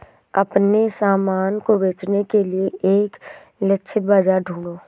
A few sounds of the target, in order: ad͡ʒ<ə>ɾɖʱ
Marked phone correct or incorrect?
incorrect